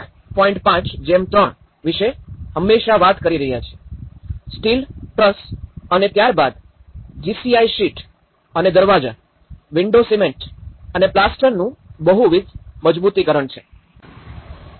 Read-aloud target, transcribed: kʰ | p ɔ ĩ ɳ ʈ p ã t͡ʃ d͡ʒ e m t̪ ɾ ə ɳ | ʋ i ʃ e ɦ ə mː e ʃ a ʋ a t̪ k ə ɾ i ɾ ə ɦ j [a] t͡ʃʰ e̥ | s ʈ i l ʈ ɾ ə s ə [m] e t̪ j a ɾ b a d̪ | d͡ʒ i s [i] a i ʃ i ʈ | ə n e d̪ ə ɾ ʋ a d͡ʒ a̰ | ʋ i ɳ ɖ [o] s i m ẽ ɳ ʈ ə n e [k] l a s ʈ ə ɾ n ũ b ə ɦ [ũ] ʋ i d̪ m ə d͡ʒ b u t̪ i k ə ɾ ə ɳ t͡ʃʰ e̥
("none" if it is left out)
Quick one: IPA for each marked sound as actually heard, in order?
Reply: a, n, i, o, p, u

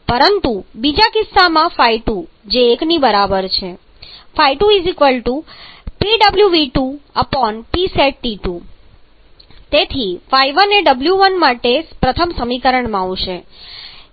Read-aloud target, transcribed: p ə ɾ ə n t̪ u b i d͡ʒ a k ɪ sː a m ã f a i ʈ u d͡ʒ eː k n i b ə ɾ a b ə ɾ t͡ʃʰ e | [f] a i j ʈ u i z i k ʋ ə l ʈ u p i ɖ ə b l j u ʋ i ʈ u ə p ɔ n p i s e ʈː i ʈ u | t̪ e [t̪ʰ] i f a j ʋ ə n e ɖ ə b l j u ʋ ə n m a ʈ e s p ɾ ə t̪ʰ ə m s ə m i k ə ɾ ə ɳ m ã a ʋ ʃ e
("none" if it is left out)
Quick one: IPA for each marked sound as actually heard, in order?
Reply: f, t̪ʰ

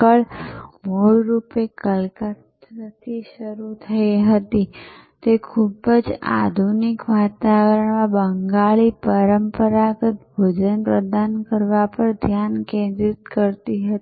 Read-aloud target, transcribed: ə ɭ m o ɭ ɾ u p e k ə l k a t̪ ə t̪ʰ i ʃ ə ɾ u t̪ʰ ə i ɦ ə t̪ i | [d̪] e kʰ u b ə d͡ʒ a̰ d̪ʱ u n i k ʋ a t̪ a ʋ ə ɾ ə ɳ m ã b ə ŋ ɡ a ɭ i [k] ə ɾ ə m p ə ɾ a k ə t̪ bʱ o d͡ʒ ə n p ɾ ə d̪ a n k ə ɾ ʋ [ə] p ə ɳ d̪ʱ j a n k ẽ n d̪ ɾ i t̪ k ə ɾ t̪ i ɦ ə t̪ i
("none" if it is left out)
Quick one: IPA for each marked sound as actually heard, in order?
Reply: t̪, p, a

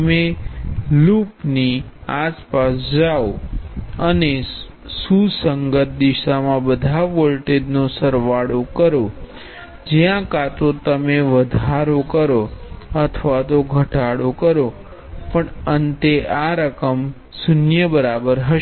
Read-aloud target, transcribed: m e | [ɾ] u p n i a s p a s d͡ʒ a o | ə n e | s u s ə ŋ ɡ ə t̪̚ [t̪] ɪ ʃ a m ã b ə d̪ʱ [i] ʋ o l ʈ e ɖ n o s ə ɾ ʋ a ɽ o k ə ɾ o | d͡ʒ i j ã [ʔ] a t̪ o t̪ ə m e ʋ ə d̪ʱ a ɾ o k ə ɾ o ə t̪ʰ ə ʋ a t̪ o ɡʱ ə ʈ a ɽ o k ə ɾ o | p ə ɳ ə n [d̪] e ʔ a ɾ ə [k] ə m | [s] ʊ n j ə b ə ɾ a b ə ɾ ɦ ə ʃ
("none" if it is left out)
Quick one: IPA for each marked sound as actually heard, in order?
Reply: l, d̪, a, k, t̪, k, s

